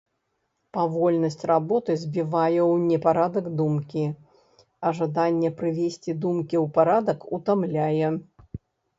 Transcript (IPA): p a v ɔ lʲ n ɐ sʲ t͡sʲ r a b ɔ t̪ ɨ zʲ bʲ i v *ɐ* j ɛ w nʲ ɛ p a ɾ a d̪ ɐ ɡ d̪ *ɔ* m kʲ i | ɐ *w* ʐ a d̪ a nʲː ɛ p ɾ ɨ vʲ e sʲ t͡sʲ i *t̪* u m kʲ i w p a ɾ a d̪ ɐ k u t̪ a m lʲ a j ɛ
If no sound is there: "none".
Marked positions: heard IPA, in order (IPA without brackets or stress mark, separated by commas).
a, u, none, d̪